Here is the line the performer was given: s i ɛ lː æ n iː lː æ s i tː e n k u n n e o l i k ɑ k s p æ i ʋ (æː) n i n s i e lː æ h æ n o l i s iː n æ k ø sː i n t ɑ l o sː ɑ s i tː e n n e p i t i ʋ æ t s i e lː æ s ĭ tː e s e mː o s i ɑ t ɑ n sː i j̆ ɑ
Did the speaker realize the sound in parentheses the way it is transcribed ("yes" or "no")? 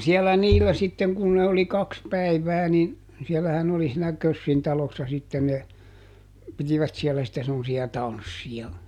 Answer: yes